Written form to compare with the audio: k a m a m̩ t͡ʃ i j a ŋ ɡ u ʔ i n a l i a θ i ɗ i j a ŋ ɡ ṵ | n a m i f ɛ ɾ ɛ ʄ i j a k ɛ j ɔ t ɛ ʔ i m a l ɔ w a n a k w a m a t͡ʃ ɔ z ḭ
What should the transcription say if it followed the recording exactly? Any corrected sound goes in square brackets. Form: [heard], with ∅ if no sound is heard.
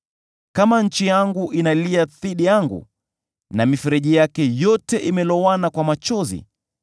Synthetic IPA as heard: k a m a [ɲ̩] t͡ʃ i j a ŋ ɡ u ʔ i n a l i a θ i ɗ i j a ŋ ɡ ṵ | n a m i f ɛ ɾ ɛ ʄ i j a k ɛ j ɔ t ɛ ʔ i m [ɛ] l ɔ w a n a k w a m a t͡ʃ ɔ z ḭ